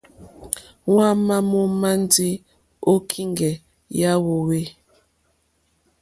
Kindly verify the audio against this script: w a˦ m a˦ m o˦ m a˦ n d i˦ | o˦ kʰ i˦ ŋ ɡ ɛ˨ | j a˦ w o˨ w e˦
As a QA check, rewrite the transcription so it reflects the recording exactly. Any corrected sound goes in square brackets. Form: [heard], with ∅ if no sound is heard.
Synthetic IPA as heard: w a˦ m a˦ m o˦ m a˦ n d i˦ | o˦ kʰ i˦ ŋ ɡ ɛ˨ | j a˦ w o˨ w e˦